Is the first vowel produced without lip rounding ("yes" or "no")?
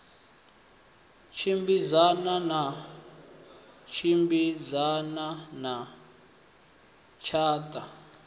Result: yes